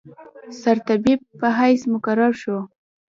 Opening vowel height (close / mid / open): open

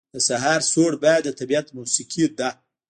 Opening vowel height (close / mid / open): mid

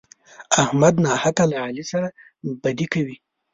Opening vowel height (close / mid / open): open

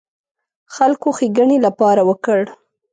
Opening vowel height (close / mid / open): open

